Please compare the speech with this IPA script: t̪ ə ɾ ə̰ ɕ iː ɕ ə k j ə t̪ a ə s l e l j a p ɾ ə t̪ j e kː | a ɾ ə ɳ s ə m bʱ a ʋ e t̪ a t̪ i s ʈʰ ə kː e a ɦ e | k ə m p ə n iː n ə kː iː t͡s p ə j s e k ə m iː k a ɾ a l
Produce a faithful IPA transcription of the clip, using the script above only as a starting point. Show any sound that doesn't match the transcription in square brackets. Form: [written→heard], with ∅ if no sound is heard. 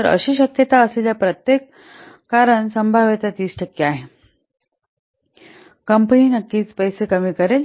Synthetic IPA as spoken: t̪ ə ɾ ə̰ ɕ iː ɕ ə k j ə t̪ a ə s l e l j a p ɾ ə t̪ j e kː | a ɾ ə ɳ s ə m bʱ a ʋ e t̪ a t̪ [i→iː] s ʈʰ ə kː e a ɦ e | k ə m p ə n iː n ə kː iː t͡s p ə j s e k ə m iː k [a→ə] ɾ [a→e] l